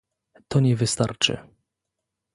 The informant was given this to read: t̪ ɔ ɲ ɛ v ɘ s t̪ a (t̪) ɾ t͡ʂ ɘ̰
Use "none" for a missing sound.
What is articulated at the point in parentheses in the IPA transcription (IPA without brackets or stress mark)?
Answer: none